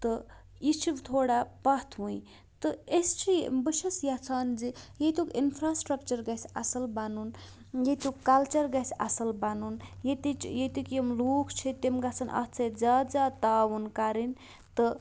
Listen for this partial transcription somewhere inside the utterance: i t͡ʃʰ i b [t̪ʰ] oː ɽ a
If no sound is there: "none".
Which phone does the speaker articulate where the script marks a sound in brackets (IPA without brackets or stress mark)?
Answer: t̪ʰ